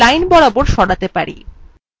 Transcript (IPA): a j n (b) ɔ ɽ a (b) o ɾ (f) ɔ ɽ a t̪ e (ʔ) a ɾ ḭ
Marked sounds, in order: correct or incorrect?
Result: correct, correct, incorrect: ʃ, incorrect: p

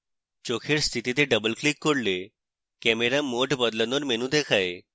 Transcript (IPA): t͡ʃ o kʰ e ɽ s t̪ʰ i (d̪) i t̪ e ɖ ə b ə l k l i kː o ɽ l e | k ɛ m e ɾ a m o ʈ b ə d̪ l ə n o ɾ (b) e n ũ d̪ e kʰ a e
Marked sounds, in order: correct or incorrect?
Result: incorrect: t̪, incorrect: m

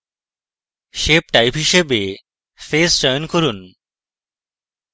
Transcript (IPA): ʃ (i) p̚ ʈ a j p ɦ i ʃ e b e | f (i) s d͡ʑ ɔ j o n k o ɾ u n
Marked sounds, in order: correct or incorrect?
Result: incorrect: e, incorrect: e

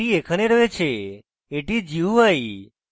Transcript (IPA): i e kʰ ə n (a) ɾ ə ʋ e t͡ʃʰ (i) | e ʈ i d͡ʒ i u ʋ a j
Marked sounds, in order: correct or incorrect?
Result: incorrect: e, incorrect: e

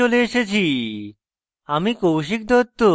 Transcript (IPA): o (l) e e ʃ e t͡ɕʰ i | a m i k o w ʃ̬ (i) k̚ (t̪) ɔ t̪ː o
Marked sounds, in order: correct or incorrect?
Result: correct, correct, incorrect: d̪

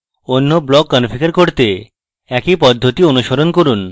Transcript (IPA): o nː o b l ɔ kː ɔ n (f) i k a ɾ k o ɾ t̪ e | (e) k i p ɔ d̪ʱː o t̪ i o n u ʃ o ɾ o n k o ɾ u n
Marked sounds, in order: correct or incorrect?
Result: correct, incorrect: ɛ

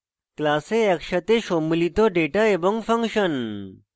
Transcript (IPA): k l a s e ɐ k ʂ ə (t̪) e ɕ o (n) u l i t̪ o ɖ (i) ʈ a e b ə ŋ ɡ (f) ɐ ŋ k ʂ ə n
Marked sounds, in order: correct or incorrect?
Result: correct, incorrect: m, incorrect: e, correct

